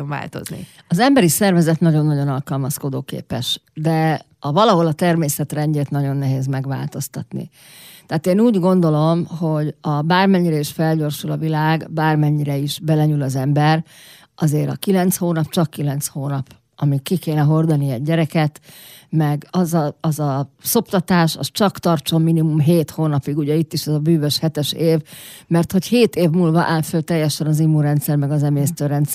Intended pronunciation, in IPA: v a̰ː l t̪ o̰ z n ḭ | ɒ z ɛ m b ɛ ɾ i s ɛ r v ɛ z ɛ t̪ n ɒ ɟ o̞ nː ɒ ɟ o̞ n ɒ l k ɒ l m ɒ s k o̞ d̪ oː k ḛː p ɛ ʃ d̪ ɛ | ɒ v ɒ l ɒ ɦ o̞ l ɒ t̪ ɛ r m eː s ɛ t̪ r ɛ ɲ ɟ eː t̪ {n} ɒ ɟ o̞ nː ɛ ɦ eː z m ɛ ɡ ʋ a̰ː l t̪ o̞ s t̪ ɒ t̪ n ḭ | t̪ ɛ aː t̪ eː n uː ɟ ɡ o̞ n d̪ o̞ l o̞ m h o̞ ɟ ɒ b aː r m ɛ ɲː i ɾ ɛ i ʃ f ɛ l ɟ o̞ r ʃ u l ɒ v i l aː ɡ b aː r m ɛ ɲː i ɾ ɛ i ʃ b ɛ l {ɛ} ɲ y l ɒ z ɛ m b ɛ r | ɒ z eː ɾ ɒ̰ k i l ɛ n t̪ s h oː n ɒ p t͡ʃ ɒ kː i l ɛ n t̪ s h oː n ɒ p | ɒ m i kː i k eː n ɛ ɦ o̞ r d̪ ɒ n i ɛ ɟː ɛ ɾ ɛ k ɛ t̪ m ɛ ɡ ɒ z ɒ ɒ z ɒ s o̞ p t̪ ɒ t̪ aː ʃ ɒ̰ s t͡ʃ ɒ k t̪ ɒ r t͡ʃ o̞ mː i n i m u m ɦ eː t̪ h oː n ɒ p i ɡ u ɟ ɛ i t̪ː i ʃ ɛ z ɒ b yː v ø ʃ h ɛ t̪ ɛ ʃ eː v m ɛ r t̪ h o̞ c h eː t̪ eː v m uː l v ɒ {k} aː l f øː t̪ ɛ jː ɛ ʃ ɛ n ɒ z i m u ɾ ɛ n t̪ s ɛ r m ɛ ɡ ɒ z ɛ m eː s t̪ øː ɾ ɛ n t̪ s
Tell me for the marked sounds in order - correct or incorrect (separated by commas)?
correct, correct, incorrect